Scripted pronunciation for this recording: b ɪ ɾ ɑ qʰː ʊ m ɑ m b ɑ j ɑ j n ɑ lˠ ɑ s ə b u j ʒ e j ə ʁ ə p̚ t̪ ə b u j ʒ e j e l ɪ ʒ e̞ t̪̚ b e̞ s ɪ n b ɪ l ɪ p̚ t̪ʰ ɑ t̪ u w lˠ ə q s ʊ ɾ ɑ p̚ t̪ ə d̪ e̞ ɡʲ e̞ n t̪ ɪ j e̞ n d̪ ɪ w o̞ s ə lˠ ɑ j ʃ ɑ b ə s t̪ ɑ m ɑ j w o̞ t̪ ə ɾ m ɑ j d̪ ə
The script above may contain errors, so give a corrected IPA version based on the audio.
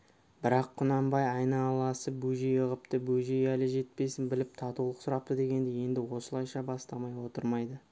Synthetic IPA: b ɪ ɾ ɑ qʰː ʊ n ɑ m b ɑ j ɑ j n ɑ lˠ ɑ s ə b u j ʒ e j ə ʁ ə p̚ t̪ ə b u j ʒ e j æ l ɪ ʒ e̞ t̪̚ p e̞ s ɪ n b ɪ l ɪ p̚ t̪ʰ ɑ t̪ u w lˠ ə q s ʊ ɾ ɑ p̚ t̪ ə d̪ e̞ ɡʲ e̞ n d̪ ɪ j e̞ n d̪ ɪ w o̞ s ə lˠ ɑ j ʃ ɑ b ɑ s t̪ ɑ m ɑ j w o̞ t̪ ə ɾ m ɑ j d̪ ə